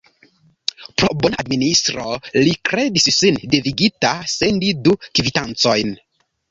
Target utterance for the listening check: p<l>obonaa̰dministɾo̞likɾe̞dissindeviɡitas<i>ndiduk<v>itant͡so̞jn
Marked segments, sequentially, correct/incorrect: incorrect, incorrect, correct

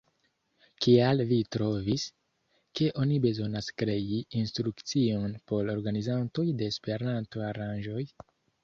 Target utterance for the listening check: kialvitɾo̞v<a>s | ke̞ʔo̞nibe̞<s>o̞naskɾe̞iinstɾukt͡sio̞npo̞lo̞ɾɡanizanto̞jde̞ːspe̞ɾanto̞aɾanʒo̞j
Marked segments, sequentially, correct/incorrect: incorrect, incorrect

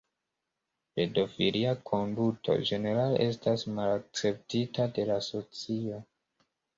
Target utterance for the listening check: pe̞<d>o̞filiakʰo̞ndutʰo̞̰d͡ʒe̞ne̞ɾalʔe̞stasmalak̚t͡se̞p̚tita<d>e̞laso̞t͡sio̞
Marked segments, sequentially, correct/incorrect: correct, correct

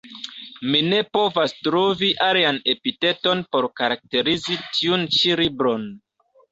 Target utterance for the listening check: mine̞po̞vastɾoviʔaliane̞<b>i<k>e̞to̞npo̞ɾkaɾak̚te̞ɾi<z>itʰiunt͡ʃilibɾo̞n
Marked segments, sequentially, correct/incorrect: incorrect, incorrect, correct

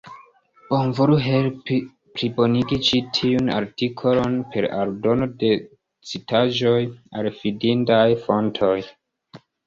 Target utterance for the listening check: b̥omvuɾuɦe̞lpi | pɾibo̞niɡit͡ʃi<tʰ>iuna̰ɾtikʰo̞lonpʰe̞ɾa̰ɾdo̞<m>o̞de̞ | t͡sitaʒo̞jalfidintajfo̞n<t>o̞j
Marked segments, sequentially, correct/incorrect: correct, incorrect, incorrect

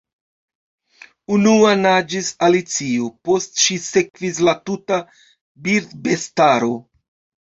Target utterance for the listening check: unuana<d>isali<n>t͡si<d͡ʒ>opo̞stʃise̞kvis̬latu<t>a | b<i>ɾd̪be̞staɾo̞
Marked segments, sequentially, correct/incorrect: incorrect, incorrect, incorrect, correct, correct

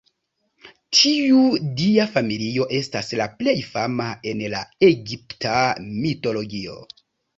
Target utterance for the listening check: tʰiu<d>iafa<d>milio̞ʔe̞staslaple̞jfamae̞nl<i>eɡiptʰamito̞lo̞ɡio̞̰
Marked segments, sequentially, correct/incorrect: correct, incorrect, incorrect

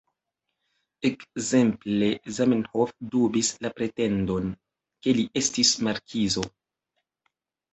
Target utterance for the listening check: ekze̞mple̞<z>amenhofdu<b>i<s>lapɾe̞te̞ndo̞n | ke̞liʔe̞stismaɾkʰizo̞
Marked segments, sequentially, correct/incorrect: correct, correct, correct

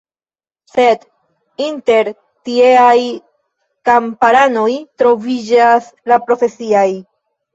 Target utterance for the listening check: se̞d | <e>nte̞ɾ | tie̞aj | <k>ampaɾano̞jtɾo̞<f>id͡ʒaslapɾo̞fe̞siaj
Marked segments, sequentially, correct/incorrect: incorrect, correct, incorrect

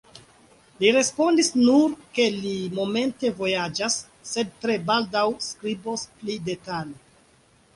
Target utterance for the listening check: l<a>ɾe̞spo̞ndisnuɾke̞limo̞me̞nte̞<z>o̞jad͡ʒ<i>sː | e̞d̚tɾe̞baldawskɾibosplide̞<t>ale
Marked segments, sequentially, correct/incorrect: incorrect, incorrect, incorrect, correct

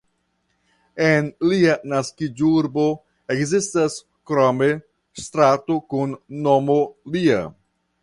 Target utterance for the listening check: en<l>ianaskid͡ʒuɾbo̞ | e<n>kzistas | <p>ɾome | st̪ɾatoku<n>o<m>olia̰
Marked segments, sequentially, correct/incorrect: correct, incorrect, incorrect, incorrect, correct

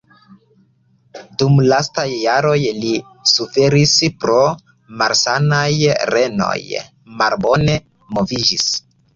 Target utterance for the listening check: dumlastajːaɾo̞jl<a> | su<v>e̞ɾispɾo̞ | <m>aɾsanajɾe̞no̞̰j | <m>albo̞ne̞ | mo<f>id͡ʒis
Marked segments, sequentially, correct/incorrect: incorrect, incorrect, correct, correct, incorrect

